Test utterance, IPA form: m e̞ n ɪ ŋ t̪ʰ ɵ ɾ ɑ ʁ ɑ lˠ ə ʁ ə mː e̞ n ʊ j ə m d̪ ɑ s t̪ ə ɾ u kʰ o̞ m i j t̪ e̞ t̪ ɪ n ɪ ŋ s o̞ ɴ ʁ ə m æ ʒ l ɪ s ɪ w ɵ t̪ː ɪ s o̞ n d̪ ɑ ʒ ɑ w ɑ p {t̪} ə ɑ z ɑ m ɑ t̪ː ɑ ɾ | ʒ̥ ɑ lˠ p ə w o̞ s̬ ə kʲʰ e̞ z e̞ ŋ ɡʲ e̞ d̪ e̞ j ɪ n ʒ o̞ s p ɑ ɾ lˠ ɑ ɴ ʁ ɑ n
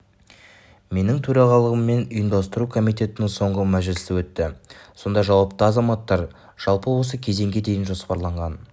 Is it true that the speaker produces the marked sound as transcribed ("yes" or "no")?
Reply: yes